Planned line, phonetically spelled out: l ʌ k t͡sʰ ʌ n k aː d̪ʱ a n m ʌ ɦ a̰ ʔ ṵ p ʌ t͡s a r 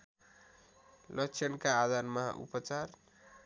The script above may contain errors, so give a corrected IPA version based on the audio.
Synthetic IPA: l ʌ k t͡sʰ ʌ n k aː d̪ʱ a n m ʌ ɦ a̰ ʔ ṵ p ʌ t͡s a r